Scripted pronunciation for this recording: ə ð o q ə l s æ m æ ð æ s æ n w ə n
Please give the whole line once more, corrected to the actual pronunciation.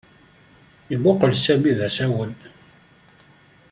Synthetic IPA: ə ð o q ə l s æ m i ð æ s æ w ə n